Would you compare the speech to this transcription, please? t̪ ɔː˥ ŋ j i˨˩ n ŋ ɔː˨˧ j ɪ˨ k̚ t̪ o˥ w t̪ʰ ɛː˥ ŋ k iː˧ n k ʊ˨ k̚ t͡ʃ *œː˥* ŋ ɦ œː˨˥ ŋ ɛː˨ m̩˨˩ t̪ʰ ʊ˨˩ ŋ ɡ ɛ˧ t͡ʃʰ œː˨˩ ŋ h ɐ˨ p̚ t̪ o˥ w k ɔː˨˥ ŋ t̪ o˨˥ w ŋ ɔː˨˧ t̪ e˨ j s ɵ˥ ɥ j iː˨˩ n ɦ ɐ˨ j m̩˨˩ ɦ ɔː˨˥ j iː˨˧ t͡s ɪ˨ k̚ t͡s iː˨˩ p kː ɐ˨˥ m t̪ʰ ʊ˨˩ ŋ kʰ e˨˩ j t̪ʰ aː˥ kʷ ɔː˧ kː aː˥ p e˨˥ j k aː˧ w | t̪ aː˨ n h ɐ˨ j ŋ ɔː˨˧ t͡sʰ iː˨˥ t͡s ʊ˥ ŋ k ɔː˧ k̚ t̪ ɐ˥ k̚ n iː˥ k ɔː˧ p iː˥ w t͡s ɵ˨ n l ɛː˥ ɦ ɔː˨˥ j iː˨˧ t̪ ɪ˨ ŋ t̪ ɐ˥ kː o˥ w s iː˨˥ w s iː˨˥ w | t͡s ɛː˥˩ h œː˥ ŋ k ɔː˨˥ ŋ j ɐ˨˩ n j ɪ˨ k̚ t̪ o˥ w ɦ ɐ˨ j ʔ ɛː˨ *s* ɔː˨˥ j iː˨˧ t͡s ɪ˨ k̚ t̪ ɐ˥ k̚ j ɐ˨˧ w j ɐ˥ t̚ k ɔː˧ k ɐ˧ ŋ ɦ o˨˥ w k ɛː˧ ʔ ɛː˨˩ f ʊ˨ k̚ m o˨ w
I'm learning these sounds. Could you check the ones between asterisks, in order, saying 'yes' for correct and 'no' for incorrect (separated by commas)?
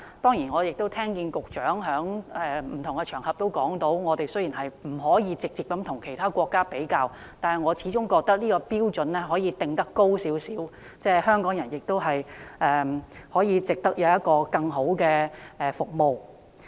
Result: no, no